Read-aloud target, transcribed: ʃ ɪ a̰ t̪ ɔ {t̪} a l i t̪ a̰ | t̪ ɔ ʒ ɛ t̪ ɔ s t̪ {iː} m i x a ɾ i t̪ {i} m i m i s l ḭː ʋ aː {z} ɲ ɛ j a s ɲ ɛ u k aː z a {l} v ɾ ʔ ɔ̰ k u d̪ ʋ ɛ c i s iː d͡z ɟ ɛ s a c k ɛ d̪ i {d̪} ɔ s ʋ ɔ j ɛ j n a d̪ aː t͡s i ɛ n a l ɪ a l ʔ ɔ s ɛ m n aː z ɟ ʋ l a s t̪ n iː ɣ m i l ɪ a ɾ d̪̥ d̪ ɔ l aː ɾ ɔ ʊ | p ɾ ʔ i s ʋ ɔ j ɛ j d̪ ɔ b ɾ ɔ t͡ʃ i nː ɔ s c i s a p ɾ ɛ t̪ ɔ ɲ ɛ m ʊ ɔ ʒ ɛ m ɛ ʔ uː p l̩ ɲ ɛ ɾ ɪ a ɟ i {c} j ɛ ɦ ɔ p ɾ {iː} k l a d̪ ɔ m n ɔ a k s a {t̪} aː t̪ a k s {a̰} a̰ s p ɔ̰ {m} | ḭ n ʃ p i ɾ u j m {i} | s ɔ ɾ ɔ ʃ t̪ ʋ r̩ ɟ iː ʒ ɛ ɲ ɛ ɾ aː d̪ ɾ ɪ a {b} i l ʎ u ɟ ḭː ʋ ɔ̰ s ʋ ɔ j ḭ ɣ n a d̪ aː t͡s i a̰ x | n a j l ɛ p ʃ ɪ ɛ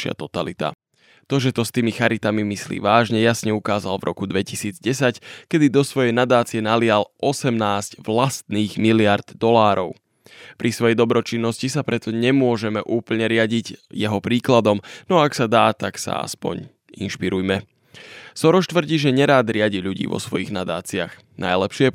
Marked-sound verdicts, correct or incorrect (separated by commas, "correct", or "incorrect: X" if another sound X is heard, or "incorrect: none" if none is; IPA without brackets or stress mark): correct, correct, incorrect: a, incorrect: ʒ, correct, correct, incorrect: ɟ, correct, incorrect: d̪, correct, incorrect: ɲ, incorrect: ɛ, incorrect: ɟ